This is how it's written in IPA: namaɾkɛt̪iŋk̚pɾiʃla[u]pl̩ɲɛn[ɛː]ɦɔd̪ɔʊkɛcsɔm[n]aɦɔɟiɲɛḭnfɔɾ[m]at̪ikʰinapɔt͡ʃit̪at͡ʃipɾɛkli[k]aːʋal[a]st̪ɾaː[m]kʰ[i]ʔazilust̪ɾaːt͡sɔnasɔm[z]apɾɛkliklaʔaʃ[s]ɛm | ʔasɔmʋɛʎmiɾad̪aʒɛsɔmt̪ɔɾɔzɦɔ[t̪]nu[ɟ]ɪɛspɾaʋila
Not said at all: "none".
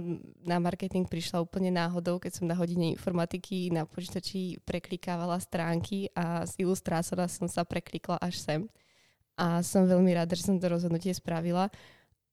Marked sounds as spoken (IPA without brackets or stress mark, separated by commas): uː, aː, n, m, k, a, ŋ, i, s, s, d̪, c